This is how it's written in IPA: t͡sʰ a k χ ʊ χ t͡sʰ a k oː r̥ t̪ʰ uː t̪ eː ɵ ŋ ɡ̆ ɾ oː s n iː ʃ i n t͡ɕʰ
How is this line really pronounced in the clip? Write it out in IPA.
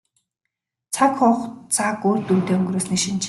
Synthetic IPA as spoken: t͡sʰ a k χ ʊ χ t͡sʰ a k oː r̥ t̪ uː t̪ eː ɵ ŋ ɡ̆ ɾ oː s n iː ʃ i n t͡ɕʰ